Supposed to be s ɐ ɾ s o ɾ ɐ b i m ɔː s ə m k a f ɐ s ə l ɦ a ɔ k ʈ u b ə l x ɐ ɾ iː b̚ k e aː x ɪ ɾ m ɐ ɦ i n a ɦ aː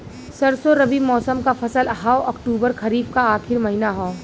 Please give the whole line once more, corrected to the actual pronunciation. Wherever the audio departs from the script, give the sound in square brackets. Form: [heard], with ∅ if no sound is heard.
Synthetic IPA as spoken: s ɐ ɾ s o ɾ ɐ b i m ɔː s ə m k a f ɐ s ə l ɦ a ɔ k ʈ [uː] b ə [ɾ] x ɐ ɾ iː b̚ k [a] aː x ɪ ɾ m ɐ ɦ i n a ɦ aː